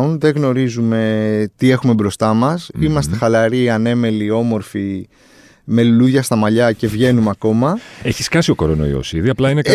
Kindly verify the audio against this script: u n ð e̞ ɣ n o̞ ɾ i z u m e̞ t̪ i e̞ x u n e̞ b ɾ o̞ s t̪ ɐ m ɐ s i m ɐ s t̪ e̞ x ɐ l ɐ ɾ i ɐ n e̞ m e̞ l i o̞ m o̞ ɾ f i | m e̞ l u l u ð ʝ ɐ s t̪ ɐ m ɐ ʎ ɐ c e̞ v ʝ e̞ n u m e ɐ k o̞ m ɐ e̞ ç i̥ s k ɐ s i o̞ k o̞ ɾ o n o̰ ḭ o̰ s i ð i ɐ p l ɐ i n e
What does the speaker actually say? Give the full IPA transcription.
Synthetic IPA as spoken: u n ð e̞ ɣ n o̞ ɾ i z u m e̞ t̪ i e̞ x u m e̞ b ɾ o̞ s t̪ ɐ m ɐ s i m ɐ s t̪ e̞ x ɐ l ɐ ɾ i ɐ n e̞ m e̞ l i o̞ m o̞ ɾ f i | m e̞ l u l u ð ʝ ɐ s t̪ ɐ m ɐ ʎ ɐ c e̞ v ʝ e̞ n u m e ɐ k o̞ m ɐ e̞ ç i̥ s k ɐ s i o̞ k o̞ ɾ o n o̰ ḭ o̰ s i ð i ɐ p l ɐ i n e